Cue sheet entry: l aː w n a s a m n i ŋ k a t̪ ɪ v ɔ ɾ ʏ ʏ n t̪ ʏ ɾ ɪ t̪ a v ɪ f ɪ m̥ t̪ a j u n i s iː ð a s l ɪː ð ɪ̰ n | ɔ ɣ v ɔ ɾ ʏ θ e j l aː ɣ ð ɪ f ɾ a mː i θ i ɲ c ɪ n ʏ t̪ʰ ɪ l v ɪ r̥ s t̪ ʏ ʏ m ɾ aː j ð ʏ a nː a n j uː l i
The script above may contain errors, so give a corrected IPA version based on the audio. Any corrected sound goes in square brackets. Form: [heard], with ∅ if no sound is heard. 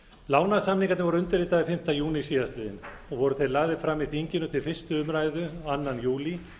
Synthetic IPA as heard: l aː w n a s a m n i ŋ k a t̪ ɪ v ɔ ɾ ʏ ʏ n t̪ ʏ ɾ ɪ t̪ a [ð] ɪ f ɪ m̥ t̪ a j [uː] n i s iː ð a s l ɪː ð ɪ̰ n | ɔ ɣ v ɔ ɾ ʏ θ e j l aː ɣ ð ɪ f ɾ a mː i θ i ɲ c ɪ n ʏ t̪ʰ ɪ l [f] ɪ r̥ s t̪ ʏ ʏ m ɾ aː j ð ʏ a nː a n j uː l i